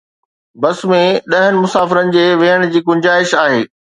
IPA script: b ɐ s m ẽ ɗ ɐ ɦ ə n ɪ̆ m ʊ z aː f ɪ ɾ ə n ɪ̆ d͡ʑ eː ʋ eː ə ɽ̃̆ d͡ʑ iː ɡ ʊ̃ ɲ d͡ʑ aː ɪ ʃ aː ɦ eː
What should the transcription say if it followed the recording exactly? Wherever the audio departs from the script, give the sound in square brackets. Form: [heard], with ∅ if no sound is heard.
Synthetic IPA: b ɐ s m ẽ ɗ ɐ ɦ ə n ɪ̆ m ʊ [s] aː f ɪ ɾ ə n ɪ̆ d͡ʑ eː ʋ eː ə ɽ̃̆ d͡ʑ iː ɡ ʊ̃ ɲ d͡ʑ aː ɪ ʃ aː ɦ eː